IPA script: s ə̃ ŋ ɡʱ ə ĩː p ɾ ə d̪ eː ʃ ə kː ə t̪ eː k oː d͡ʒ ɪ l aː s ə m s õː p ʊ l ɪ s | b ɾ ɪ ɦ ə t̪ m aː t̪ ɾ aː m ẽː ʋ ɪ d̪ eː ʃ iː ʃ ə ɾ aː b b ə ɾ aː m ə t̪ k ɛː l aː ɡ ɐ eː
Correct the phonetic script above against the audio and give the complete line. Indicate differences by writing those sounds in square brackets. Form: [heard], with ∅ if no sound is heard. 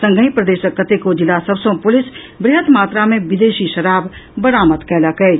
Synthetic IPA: s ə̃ ŋ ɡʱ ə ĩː p ɾ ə d̪ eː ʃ ə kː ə t̪ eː k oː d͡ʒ ɪ l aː s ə [b] s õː p ʊ l ɪ s | b ɾ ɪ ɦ ə t̪ m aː t̪ ɾ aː m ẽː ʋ ɪ d̪ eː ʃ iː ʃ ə ɾ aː b b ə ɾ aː m ə t̪ k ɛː l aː [k] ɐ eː